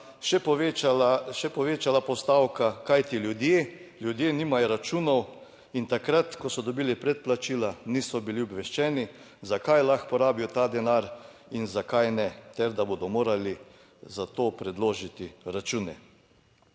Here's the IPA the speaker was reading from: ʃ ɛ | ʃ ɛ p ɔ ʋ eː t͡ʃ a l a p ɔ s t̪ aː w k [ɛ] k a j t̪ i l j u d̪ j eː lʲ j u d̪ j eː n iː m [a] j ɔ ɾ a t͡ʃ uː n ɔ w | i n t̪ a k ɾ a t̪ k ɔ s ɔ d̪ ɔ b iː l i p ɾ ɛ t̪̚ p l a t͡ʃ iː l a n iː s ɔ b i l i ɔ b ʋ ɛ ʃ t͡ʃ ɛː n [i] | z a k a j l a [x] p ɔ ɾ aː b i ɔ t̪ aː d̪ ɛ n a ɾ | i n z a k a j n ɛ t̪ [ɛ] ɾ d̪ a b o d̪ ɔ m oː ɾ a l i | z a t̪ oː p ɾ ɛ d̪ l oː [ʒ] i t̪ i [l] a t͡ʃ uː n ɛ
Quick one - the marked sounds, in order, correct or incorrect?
incorrect, correct, correct, correct, correct, correct, incorrect

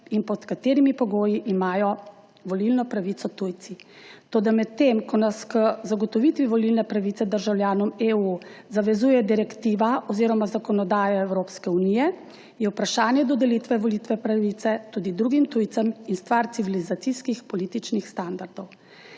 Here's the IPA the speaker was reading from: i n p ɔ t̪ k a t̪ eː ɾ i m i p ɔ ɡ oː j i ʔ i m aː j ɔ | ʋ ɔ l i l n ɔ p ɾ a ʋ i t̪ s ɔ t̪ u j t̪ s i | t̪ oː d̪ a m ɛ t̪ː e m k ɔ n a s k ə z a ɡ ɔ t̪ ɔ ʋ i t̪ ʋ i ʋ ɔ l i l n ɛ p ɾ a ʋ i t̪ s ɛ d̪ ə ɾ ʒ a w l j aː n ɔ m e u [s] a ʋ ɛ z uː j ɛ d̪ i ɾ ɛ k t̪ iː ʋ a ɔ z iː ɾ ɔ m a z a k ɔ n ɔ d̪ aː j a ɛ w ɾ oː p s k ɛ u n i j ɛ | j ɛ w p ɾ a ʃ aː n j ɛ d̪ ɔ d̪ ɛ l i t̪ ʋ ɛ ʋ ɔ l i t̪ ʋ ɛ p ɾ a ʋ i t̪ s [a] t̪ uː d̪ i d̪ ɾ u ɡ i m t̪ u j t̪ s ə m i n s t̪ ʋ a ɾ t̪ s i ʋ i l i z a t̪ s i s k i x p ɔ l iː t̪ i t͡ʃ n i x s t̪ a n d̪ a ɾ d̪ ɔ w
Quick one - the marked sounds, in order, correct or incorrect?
incorrect, incorrect

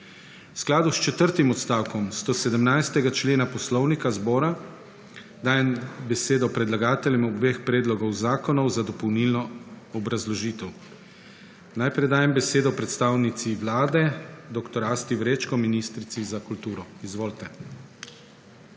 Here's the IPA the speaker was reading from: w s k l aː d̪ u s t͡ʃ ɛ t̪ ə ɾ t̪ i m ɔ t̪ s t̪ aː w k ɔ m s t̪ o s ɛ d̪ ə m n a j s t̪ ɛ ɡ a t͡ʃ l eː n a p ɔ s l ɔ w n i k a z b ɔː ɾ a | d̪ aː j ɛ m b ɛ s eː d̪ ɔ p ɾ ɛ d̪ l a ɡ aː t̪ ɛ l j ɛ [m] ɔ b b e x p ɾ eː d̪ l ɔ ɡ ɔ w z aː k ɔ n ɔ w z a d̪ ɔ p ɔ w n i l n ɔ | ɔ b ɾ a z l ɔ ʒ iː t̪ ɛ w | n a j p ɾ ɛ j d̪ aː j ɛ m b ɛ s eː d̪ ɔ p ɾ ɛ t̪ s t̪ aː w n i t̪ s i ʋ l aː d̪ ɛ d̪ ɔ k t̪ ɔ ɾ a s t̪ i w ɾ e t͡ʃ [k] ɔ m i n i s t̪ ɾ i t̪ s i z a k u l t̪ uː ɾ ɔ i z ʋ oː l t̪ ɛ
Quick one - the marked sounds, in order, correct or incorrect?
correct, correct

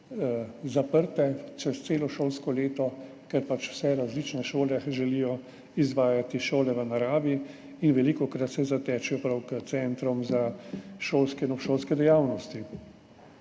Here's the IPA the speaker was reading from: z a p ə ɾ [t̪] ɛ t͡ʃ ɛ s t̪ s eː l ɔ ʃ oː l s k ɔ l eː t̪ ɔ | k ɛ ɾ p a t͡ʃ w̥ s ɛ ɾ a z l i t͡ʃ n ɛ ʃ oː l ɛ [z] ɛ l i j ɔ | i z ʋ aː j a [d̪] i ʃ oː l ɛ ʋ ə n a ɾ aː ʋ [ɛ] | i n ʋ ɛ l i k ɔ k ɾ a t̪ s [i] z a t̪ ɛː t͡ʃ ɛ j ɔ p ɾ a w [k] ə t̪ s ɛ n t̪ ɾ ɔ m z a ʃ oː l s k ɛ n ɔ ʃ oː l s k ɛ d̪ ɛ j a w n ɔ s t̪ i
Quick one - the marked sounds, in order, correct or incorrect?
correct, incorrect, incorrect, incorrect, incorrect, correct

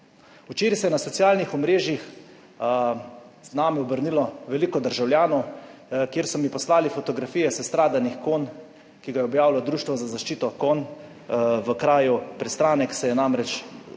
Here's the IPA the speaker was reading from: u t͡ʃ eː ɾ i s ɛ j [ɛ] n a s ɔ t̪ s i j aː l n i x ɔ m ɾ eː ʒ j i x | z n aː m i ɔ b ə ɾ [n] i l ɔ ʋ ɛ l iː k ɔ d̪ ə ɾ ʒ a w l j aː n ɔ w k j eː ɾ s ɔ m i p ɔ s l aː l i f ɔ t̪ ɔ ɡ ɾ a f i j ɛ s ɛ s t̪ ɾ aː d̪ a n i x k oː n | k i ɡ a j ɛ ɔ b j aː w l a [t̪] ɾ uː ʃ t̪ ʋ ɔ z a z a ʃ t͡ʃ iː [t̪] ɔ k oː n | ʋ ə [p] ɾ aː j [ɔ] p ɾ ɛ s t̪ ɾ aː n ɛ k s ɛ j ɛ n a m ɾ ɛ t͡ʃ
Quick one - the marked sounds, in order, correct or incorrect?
correct, correct, incorrect, correct, incorrect, incorrect

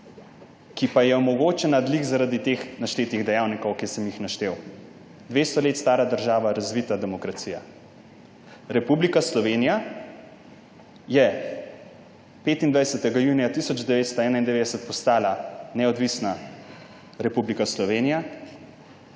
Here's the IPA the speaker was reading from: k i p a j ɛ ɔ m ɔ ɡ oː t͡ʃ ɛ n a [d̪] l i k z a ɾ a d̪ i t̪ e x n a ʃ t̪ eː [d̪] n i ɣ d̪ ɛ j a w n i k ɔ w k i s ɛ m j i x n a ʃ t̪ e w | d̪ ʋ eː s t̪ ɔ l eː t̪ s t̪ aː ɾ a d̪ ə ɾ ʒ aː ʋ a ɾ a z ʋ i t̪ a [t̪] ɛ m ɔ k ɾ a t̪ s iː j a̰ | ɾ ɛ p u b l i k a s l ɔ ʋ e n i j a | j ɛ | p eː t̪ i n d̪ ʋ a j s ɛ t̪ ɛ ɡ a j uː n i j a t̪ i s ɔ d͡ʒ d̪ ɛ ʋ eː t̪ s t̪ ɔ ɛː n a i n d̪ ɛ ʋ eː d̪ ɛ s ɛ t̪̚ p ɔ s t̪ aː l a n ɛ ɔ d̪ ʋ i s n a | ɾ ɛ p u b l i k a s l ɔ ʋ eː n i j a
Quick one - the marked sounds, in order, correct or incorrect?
correct, incorrect, incorrect

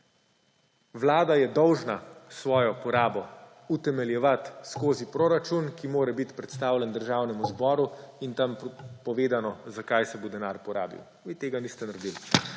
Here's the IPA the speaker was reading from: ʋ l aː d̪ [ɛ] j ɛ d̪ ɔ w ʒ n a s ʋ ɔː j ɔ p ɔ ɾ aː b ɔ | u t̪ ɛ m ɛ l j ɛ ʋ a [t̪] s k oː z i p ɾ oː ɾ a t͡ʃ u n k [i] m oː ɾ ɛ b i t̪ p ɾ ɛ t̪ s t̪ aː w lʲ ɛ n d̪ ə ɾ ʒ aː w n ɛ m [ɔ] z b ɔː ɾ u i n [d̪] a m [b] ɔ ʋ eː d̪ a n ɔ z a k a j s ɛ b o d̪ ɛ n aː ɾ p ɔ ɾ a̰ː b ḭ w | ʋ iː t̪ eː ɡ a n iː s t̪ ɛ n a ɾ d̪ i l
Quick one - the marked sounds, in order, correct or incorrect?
incorrect, correct, correct, incorrect, incorrect, incorrect

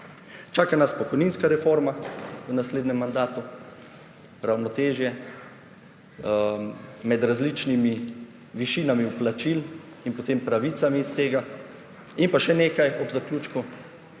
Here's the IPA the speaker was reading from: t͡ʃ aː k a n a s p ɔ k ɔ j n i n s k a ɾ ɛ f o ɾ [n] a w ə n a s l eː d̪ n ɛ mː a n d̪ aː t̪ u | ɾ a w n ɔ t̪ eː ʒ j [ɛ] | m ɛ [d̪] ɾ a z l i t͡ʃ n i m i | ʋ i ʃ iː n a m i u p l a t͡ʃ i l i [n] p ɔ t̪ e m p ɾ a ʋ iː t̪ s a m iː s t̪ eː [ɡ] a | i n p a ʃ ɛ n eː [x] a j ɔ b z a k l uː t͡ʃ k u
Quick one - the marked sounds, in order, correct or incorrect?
incorrect, correct, correct, correct, correct, incorrect

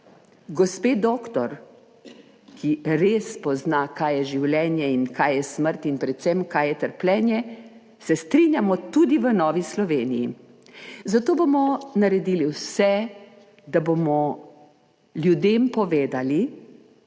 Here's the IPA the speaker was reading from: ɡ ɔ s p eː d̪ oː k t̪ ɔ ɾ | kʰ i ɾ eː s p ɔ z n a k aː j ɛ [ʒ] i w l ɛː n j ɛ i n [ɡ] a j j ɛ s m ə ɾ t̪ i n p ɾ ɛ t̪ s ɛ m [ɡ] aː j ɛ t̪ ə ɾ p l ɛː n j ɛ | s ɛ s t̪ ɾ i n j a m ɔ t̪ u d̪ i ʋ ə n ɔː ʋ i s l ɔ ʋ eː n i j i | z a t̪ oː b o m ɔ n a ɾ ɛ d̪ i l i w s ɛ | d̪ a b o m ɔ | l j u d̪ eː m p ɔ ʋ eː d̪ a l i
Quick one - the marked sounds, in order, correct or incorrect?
correct, incorrect, incorrect

